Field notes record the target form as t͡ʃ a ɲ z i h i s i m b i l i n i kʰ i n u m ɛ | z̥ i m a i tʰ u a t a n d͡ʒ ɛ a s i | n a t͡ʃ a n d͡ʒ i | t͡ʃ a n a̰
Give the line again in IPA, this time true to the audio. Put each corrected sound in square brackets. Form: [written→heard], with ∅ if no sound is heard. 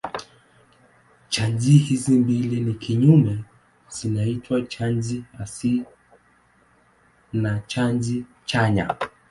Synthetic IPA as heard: t͡ʃ a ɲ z i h i [s→z] i m b i l i n i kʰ i [n→ɲ] u m ɛ | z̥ i [m→n] a i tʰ [u→w] a [t→t͡ʃ] a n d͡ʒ [ɛ→i] a s i | n a t͡ʃ a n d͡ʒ i | t͡ʃ a [n→ɲ] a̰

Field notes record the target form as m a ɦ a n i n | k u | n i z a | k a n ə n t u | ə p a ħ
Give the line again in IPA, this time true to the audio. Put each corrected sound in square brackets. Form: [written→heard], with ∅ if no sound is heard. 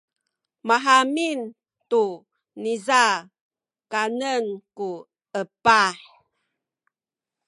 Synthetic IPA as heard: m a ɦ a [n→m] i n | [k→t] u | n i z a | k a n ə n [t→k] u | ə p a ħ

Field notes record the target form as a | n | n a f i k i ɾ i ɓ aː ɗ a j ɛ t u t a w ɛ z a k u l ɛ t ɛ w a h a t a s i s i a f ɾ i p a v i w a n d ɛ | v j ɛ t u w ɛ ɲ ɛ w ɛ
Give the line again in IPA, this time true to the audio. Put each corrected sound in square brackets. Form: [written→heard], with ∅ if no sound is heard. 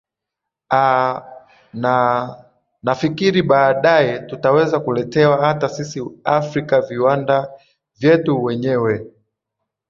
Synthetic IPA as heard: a | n | n a f i k i ɾ i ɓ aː ɗ a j ɛ t u t a w ɛ z a k u l ɛ t ɛ w a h a t a s i s i a f ɾ i [p→k] a v i w a n d [ɛ→a] | v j ɛ t u w ɛ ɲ ɛ w ɛ

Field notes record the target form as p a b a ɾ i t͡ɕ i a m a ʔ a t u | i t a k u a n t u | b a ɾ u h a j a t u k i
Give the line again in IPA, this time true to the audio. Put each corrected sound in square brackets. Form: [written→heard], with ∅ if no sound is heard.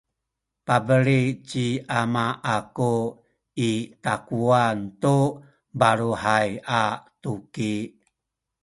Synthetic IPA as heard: p a b [a→ə] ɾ i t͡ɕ i a m a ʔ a [t→k] u | i t a k u a n t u | b a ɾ u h a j a t u k i

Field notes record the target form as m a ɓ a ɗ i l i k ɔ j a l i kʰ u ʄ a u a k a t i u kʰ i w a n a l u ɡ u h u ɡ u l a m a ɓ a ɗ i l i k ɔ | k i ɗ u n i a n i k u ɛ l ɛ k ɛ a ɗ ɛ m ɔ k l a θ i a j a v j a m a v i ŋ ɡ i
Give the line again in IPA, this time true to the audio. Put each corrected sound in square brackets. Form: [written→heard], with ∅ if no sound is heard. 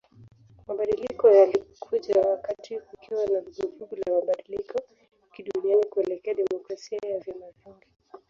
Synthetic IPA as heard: m a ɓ a ɗ i l i k ɔ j a l i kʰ u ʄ a [u→w] a k a t i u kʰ i w a n a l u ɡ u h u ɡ u l a m a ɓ a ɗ i l i k ɔ | k i ɗ u n i a n i k u ɛ l ɛ k ɛ a ɗ ɛ m ɔ k [l→ɾ] a [θ→s] i a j a v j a m a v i ŋ ɡ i

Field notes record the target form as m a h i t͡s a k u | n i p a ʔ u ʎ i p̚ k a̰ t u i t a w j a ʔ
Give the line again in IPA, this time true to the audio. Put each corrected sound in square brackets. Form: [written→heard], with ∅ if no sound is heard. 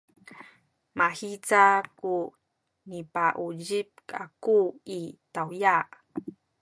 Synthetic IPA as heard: m a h i t͡s a k u | n i p a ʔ u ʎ i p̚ k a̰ [t→k] u i t a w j a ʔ

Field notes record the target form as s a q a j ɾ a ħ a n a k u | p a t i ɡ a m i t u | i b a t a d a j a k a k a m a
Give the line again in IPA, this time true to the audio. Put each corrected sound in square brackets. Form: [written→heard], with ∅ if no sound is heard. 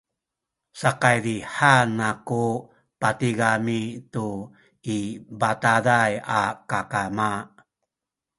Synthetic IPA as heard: s a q a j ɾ [a→i] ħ a n a k u | p a t i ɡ a m i t u | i b a t a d a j a k a k a m a

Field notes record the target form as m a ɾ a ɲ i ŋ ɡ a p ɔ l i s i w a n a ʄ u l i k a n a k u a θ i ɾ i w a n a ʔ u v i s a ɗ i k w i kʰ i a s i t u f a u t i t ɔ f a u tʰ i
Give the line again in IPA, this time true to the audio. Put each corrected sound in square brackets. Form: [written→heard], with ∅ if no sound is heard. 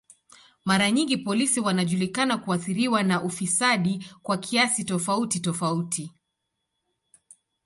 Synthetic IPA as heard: m a ɾ a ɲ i ŋ ɡ [a→i] p ɔ l i s i w a n a ʄ u l i k a n a k u a θ i ɾ i w a n a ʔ u [v→f] i s a ɗ i k w [i→a] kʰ i a s i t [u→ɔ] f a u t i t ɔ f a u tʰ i

